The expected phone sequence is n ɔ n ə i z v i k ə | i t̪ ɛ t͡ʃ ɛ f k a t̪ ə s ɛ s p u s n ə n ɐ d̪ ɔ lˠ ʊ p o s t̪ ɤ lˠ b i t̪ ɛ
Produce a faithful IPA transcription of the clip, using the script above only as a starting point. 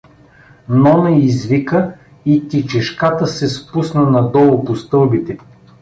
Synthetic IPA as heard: n ɔ n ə i z v i k ə | i t̪ i t͡ʃ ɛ ʃ k a t̪ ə s ɛ s p u s n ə n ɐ d̪ ɔ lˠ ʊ p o s t̪ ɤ lˠ b i t̪ ɛ